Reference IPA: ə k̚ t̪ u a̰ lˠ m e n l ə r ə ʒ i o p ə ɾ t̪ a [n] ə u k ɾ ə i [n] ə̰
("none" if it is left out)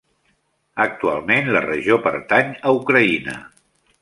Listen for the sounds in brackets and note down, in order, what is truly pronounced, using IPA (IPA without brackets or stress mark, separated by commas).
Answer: ɲ, n